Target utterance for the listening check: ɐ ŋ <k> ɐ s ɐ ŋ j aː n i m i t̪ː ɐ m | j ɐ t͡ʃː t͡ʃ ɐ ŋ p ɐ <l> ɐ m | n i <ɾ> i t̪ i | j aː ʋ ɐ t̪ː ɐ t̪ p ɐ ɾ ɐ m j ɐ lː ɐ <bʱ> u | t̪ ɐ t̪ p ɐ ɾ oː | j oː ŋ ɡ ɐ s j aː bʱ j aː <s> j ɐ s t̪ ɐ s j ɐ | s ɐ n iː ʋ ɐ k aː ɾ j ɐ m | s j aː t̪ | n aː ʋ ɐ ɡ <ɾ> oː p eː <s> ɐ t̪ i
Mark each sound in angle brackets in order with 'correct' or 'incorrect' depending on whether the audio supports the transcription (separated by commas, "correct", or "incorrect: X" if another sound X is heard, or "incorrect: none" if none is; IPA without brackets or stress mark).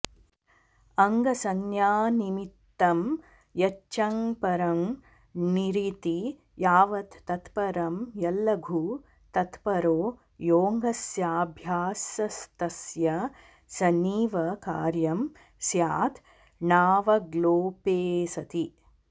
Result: incorrect: ɡ, incorrect: ɾ, correct, incorrect: ɡʱ, correct, incorrect: l, correct